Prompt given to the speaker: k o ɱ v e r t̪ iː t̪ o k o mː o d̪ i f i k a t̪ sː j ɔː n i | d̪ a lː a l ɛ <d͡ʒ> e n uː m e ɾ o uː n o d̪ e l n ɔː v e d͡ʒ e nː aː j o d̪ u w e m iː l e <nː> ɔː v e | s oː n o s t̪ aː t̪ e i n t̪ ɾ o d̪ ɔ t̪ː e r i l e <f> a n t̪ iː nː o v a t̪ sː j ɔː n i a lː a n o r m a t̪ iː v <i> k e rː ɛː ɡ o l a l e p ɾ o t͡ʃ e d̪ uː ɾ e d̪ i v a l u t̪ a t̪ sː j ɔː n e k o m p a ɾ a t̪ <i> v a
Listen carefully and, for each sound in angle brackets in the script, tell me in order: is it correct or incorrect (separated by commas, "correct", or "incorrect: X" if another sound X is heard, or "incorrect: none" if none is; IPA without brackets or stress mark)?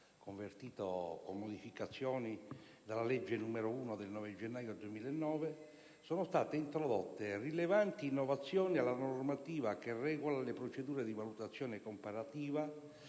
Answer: incorrect: d͡ʒː, correct, incorrect: v, incorrect: a, incorrect: iː